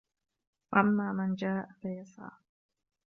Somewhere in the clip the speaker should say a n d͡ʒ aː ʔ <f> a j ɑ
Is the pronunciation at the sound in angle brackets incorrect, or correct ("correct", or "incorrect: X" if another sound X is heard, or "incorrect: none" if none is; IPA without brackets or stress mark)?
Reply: correct